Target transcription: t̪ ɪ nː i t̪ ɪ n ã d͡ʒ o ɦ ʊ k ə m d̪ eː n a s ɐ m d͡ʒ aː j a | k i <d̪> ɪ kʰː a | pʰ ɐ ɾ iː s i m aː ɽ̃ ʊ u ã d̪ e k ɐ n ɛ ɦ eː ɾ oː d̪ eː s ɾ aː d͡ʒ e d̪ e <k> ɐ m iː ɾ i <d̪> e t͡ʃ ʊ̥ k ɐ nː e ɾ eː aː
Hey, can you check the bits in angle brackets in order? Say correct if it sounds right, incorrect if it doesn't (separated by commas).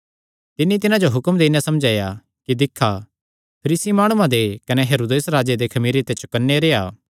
correct, incorrect, incorrect